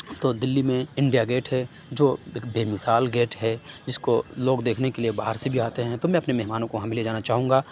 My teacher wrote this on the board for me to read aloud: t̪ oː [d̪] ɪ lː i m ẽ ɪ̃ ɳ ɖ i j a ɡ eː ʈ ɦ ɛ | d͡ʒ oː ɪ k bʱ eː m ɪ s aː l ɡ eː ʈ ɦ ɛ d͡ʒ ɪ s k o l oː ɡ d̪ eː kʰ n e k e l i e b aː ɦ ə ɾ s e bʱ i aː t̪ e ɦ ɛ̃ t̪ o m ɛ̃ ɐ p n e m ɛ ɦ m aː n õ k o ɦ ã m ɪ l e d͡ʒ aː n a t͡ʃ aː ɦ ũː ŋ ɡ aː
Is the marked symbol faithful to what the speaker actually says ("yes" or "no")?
yes